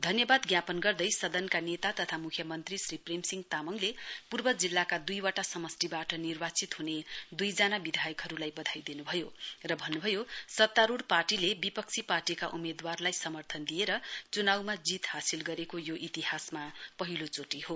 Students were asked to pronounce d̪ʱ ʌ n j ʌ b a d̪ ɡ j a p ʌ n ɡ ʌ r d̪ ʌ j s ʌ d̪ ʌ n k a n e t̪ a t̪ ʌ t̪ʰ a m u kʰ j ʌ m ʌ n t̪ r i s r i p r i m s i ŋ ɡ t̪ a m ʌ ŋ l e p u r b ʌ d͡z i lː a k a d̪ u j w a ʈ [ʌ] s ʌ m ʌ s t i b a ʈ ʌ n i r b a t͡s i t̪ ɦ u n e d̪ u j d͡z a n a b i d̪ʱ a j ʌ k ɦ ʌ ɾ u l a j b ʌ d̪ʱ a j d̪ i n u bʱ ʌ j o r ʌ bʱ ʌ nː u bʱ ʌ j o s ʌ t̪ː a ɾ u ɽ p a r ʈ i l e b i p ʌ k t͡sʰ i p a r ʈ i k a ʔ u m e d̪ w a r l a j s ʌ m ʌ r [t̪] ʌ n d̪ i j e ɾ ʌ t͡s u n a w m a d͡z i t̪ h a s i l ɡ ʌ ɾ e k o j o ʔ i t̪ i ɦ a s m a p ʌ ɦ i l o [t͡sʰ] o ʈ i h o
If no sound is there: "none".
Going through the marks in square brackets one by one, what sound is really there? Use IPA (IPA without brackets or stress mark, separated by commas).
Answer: a, t̪ʰ, t͡s